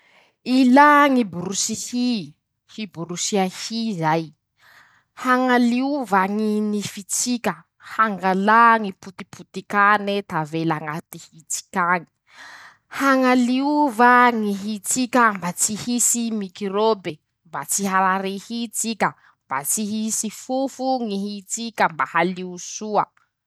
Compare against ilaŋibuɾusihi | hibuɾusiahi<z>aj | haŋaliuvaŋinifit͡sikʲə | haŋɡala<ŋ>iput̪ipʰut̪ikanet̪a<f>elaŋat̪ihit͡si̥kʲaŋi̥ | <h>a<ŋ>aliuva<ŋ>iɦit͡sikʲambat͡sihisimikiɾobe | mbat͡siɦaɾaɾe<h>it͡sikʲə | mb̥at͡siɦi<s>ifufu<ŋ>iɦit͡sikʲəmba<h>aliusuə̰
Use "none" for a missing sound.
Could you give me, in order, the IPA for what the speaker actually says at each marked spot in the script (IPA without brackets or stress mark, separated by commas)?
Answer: z, ŋ, v, h, ŋ, ŋ, h, s, ŋ, h